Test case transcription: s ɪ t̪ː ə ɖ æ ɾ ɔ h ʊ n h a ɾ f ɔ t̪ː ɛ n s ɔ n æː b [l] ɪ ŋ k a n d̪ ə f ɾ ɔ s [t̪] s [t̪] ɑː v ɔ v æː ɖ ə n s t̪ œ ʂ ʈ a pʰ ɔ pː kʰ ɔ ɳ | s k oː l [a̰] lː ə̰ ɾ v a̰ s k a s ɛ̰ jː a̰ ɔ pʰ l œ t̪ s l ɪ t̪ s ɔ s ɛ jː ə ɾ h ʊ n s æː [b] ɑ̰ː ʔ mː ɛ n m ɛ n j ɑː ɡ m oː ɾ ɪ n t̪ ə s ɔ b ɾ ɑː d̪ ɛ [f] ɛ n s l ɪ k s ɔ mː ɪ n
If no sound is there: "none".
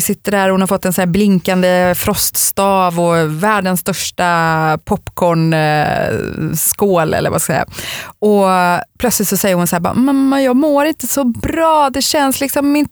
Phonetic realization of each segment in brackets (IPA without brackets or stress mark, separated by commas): l, t̪, t̪, ɛ̰, b, ɕ